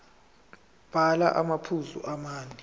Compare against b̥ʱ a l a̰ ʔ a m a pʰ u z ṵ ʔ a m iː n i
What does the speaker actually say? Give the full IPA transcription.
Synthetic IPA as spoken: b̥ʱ a l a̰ ʔ a m a pʰ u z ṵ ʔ a m aː n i